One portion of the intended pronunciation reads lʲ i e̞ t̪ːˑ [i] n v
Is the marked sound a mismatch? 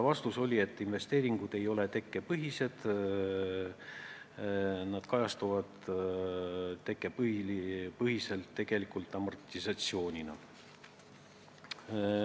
no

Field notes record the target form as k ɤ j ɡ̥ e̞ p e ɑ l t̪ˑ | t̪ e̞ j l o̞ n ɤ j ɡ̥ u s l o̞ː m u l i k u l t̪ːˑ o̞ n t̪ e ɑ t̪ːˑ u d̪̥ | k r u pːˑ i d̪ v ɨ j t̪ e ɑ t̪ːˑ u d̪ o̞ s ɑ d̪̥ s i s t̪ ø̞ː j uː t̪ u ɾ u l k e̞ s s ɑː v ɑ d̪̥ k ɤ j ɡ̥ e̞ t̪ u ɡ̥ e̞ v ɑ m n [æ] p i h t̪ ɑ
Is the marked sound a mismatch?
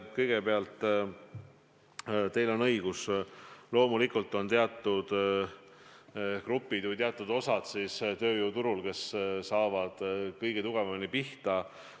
yes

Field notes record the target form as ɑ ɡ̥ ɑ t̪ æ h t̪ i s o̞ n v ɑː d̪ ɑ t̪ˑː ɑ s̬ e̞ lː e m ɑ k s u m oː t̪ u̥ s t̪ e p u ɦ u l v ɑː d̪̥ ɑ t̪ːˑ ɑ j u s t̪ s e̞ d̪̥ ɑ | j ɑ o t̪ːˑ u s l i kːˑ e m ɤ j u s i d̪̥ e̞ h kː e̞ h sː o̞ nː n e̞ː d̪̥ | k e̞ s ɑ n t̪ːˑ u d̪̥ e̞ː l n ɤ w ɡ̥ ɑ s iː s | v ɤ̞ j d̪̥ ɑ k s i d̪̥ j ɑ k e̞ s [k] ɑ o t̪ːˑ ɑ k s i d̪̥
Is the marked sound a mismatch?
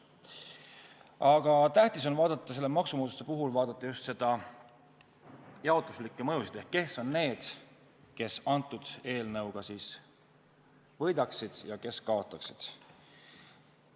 no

